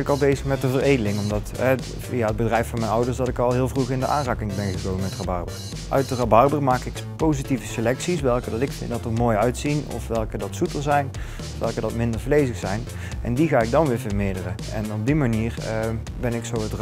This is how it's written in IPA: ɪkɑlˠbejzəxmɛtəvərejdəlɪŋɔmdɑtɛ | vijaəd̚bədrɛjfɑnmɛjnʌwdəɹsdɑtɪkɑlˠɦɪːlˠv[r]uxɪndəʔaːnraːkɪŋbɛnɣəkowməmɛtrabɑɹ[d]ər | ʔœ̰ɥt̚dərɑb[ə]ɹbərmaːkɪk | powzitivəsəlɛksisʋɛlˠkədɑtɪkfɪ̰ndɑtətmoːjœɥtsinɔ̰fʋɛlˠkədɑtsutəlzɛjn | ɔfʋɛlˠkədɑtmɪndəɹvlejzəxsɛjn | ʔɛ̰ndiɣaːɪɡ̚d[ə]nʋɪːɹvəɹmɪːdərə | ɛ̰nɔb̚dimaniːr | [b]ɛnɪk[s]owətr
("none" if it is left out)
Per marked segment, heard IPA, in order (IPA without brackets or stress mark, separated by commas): r, b, ɑ, ɑ, b, s